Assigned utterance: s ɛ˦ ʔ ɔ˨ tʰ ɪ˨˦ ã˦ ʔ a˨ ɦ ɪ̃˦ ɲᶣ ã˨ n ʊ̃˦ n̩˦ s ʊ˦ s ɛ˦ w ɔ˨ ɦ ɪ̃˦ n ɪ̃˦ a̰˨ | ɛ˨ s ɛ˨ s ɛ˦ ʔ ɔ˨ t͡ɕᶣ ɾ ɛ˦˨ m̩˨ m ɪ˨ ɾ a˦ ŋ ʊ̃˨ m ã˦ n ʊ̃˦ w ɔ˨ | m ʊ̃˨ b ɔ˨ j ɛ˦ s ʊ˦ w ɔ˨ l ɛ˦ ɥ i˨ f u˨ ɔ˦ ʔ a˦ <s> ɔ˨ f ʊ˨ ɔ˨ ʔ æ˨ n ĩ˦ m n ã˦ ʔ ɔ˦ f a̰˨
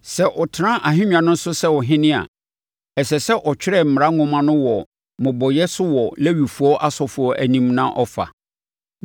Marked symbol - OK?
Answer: yes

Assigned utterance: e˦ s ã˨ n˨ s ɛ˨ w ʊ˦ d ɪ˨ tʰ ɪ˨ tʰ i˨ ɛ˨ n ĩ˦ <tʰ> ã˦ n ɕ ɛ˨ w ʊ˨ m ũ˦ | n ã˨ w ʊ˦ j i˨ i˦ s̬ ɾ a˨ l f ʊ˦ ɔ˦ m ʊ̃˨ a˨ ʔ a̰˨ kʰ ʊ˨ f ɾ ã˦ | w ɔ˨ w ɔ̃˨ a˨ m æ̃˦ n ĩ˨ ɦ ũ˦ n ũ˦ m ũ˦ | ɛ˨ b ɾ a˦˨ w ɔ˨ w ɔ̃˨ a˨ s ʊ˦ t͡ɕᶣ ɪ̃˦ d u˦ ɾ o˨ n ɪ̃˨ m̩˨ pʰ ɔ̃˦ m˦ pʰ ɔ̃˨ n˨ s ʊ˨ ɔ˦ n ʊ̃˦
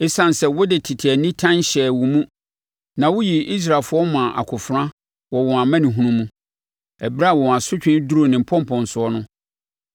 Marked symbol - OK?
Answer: yes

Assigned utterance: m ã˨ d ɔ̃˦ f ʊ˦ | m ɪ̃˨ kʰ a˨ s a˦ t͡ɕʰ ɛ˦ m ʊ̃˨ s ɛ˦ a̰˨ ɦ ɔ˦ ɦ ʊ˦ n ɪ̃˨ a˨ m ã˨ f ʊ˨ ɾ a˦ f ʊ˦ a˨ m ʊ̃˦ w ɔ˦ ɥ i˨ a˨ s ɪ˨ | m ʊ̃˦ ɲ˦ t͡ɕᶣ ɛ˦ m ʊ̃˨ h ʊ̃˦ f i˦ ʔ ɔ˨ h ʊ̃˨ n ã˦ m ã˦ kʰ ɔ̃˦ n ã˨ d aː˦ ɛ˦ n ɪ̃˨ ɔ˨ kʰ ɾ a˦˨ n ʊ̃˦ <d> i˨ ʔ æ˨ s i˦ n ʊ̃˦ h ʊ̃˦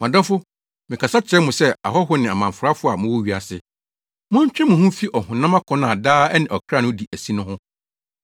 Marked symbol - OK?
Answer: yes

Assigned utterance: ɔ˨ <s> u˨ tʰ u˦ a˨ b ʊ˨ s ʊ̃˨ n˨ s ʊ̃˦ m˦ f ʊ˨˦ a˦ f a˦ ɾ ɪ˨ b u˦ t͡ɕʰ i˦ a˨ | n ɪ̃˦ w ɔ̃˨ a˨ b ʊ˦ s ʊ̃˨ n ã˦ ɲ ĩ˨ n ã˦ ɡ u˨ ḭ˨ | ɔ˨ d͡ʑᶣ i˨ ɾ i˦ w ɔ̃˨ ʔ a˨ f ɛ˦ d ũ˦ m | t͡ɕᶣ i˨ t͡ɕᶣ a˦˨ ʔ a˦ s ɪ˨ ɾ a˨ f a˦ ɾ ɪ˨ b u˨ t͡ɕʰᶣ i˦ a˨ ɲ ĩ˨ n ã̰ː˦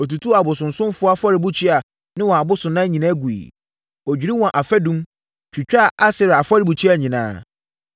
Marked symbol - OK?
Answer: no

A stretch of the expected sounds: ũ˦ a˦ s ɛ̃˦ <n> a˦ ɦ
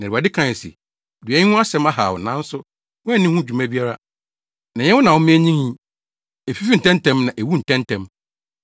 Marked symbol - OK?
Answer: no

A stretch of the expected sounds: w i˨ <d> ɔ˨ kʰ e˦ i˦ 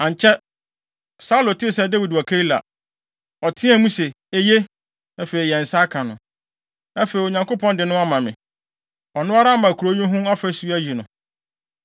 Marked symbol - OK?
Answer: yes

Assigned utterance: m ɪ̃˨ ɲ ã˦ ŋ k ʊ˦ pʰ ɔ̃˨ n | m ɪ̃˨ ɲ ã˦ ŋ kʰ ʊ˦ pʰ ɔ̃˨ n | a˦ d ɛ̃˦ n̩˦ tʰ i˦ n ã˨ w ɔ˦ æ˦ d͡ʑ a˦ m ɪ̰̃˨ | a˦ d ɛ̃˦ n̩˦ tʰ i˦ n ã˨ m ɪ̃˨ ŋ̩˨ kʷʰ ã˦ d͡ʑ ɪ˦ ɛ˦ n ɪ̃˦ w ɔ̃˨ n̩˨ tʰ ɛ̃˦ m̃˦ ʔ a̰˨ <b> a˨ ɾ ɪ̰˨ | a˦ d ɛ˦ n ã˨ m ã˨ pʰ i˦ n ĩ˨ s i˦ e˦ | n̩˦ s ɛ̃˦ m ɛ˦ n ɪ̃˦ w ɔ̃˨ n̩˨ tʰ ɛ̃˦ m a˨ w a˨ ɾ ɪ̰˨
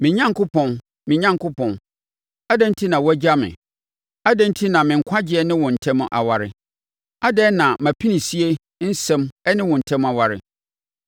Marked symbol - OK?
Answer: no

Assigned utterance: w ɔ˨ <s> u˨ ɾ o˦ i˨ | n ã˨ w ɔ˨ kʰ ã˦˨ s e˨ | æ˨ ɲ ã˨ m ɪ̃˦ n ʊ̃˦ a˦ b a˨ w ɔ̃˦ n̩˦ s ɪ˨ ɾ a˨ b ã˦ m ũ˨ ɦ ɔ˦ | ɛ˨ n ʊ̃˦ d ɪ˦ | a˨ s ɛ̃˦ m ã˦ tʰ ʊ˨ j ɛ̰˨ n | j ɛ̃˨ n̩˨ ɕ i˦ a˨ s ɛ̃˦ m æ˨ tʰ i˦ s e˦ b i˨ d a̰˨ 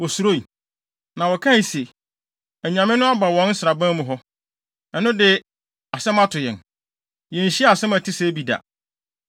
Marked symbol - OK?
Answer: yes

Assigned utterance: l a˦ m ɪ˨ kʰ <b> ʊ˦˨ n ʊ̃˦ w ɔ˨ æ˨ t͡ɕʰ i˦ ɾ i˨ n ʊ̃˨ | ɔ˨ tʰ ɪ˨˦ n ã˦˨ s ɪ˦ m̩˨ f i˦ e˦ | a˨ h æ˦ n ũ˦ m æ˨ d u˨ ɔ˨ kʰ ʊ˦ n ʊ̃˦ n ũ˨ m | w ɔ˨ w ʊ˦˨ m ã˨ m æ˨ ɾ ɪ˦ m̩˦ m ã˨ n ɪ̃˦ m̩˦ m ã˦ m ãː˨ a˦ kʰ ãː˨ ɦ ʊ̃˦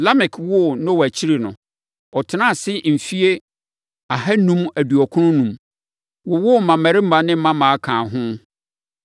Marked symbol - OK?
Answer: no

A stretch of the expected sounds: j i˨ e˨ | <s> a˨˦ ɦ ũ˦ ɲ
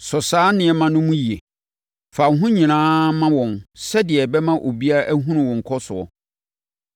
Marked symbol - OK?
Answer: no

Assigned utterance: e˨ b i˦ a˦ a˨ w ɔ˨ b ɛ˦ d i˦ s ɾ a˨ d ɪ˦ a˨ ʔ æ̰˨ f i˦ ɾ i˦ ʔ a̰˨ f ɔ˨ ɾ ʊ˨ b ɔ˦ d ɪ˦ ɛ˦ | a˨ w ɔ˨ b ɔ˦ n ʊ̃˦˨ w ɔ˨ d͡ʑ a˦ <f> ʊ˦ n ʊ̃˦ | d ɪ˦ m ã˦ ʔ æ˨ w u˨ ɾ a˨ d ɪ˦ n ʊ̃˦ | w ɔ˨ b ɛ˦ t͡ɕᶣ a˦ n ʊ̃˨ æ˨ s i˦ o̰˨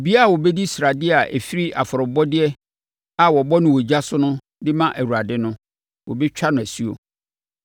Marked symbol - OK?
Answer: no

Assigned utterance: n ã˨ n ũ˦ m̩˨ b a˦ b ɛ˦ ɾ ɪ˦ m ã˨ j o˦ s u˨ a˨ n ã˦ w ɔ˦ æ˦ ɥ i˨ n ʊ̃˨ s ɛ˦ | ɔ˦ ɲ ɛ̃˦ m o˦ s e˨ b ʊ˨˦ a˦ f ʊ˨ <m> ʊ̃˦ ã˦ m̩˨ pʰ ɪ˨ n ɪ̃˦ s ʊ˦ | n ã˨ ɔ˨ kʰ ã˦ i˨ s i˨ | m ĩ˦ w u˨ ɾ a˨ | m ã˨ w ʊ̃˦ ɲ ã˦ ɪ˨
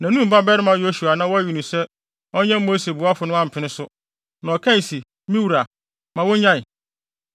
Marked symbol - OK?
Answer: no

